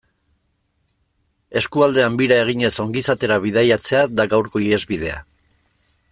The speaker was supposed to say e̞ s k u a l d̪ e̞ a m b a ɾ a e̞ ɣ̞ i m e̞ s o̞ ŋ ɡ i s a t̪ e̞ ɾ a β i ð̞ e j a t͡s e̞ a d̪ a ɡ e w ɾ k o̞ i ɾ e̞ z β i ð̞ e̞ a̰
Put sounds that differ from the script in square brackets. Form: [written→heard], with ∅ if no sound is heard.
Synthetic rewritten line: e̞ s k u a l d̪ e̞ a m b [a→i] ɾ a e̞ ɣ̞ i [m→ɲ] e̞ s o̞ ŋ ɡ i s a t̪ e̞ ɾ a β i ð̞ [e→a] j a t͡s e̞ a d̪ a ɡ [e→a] w ɾ k o̞ i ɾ e̞ z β i ð̞ e̞ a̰